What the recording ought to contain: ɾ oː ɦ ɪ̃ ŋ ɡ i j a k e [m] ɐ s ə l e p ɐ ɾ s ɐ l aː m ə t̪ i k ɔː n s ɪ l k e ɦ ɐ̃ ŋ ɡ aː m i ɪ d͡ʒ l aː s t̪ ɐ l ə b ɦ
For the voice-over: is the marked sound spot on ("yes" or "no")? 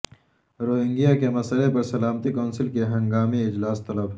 yes